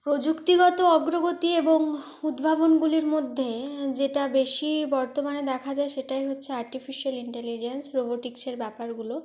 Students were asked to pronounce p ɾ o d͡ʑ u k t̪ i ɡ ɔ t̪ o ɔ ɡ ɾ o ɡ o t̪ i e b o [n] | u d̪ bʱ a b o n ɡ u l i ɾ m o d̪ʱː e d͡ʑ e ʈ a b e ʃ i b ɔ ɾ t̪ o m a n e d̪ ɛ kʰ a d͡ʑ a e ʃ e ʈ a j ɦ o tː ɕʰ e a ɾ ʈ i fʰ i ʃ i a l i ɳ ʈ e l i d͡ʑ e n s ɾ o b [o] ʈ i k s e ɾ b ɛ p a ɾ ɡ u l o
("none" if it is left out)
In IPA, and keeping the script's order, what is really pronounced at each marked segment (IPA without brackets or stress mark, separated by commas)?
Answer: ŋ, o